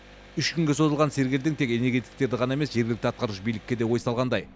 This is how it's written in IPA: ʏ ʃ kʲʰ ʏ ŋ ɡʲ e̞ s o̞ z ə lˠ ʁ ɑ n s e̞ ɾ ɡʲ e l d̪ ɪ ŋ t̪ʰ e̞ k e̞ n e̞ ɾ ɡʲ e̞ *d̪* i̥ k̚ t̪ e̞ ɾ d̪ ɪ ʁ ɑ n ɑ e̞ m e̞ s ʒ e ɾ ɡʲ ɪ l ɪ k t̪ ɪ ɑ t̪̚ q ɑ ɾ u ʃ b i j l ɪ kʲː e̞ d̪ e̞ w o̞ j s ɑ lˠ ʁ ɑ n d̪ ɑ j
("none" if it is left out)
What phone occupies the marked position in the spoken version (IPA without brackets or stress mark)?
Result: t̪